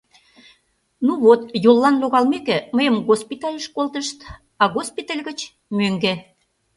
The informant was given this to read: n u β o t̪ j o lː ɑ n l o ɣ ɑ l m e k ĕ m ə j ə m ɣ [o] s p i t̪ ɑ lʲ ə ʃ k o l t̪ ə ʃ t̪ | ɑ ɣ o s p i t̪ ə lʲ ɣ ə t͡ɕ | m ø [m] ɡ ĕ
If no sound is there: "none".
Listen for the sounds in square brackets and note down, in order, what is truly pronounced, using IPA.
o, ŋ

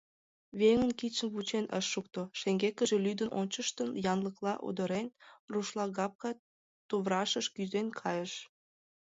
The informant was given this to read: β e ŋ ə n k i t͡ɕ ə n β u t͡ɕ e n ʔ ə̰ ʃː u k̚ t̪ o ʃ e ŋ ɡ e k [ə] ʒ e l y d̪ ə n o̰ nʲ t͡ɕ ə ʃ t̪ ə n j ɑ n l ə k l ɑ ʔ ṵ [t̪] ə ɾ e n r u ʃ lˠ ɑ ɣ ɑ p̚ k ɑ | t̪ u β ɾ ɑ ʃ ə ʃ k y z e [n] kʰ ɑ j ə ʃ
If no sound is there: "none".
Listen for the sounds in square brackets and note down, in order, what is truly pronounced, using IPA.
ə, d̪, n

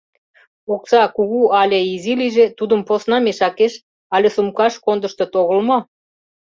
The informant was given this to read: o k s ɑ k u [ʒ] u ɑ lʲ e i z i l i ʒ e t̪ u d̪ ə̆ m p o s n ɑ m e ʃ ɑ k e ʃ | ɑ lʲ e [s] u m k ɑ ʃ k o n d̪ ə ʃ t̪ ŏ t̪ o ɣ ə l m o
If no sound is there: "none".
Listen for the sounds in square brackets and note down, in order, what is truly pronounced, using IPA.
ɣ, s

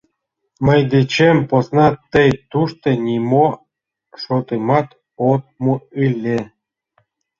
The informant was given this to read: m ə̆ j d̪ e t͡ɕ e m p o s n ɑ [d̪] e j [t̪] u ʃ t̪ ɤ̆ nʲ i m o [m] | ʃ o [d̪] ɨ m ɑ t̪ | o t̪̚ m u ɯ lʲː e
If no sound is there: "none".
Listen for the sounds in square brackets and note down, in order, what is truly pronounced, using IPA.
t̪, t̪, none, t̪

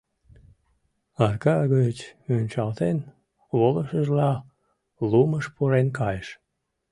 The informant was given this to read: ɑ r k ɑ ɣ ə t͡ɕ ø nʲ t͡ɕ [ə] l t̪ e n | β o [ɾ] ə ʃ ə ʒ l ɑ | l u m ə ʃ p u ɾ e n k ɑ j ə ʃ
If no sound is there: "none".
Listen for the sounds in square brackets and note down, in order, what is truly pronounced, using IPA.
ɑ, l

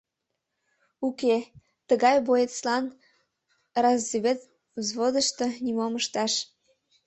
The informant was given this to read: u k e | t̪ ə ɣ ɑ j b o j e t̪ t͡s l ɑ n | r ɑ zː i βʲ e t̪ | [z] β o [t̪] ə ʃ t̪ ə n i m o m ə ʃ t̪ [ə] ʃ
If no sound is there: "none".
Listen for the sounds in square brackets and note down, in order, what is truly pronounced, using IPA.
z, d̪, ɑ

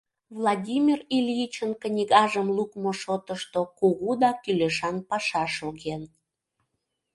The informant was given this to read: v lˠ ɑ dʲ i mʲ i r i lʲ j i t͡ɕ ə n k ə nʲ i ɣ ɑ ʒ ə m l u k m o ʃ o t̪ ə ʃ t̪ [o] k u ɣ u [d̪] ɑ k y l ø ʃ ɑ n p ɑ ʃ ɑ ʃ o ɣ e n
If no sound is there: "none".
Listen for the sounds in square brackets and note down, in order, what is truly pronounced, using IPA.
o, d̪

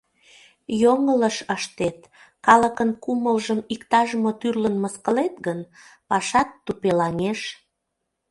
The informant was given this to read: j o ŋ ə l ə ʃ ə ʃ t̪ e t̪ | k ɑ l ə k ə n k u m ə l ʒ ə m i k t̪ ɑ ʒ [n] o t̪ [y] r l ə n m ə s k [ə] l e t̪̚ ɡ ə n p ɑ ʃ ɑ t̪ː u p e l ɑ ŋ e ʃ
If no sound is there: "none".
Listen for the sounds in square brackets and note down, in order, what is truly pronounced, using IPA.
m, y, ə

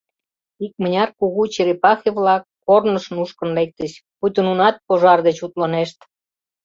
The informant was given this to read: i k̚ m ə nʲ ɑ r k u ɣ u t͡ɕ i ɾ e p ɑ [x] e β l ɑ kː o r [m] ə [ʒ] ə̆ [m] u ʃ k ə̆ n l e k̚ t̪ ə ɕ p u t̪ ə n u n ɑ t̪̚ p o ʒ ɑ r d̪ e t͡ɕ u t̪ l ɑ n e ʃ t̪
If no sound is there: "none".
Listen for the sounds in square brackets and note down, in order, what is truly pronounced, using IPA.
x, n, ʃ, n

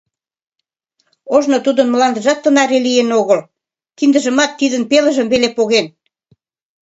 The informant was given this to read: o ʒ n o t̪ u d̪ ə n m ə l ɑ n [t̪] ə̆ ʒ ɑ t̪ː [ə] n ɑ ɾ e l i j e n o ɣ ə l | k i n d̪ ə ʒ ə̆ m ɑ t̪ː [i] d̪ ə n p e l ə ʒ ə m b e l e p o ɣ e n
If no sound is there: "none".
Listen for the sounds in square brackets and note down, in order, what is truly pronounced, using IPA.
d̪, ə, i

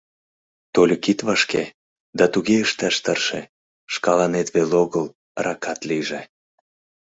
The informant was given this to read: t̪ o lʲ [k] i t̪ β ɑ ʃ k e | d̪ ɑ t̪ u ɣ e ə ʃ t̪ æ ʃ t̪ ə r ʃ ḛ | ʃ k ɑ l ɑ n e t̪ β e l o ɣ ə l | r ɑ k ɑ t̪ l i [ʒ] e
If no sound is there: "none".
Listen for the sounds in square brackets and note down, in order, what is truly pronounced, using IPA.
k, ʒ

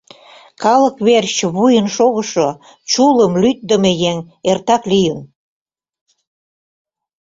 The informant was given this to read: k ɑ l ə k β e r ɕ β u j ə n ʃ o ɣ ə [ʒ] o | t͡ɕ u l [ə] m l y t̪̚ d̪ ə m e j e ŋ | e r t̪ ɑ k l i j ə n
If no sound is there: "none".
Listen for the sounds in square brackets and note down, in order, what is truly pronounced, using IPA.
ʃ, ə

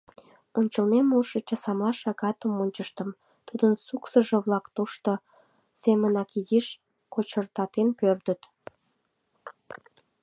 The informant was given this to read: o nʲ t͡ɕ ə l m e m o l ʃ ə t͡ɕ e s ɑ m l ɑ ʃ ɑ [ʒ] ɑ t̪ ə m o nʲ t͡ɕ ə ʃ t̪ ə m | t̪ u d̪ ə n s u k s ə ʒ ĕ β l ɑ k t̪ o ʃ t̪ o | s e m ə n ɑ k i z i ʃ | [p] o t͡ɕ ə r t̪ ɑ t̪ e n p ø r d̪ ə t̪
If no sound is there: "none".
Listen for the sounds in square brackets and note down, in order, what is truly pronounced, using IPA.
ɣ, k

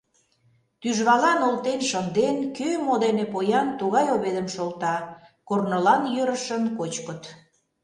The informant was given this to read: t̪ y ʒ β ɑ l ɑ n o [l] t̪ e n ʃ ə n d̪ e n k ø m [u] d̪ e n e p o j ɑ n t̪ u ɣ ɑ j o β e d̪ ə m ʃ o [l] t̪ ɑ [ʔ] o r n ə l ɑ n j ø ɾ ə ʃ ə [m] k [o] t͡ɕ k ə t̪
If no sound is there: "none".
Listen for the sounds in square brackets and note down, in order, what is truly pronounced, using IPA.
l, o, l, k, n, o

